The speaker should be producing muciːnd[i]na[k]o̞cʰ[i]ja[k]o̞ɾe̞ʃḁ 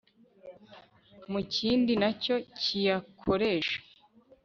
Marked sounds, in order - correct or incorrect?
correct, incorrect: c, correct, incorrect: kʰ

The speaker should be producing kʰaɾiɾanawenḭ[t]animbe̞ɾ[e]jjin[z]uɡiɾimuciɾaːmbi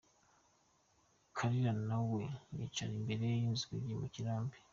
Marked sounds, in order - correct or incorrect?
incorrect: t͡ʃ, correct, correct

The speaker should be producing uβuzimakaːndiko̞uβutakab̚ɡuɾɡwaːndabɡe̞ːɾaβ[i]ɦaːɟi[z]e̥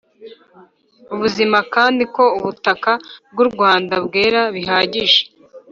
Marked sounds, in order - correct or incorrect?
correct, incorrect: ʒ

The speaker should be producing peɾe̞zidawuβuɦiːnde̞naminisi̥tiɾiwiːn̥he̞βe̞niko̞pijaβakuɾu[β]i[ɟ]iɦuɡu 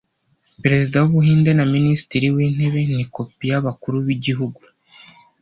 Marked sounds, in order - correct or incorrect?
correct, correct

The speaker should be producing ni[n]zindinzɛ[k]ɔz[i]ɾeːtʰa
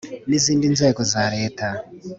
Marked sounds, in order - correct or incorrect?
incorrect: none, correct, incorrect: a

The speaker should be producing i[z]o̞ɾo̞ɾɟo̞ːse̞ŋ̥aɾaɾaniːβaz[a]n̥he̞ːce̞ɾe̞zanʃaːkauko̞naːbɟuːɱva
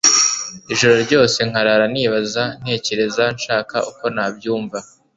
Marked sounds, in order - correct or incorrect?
incorrect: ʒ, correct

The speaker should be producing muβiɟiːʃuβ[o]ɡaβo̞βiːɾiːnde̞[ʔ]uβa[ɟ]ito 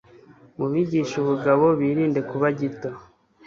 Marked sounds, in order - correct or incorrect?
incorrect: u, incorrect: k, correct

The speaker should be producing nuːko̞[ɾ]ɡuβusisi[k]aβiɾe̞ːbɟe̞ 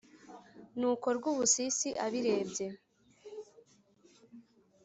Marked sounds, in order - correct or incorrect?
correct, incorrect: ʔ

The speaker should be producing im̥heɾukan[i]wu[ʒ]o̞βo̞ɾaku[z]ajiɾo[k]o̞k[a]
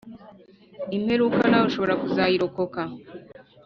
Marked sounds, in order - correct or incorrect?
incorrect: a, incorrect: ʃ, correct, correct, correct

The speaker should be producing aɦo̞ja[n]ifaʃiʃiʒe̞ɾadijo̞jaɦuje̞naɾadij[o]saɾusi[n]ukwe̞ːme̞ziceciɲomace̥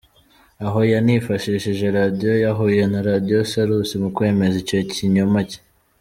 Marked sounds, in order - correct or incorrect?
correct, correct, incorrect: m

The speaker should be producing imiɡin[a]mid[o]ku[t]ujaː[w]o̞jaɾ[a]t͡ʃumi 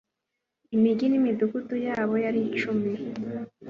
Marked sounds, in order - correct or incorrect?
incorrect: i, incorrect: u, correct, incorrect: β, incorrect: i

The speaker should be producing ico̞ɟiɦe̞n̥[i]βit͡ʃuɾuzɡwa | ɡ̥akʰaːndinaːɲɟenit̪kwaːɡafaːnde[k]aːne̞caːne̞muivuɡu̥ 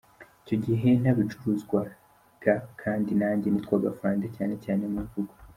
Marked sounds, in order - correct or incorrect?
incorrect: a, incorrect: c

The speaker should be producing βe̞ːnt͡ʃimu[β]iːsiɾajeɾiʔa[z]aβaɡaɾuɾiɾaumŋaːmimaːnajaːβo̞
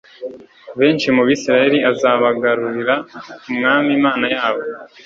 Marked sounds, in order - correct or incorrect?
correct, correct

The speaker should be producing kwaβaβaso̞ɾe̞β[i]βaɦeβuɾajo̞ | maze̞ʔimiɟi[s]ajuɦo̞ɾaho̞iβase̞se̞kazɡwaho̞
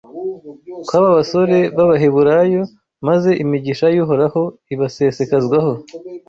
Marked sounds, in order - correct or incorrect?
incorrect: a, incorrect: ʃ

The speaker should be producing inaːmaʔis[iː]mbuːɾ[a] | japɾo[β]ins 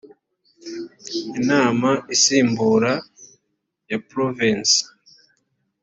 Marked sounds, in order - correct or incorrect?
correct, correct, incorrect: v

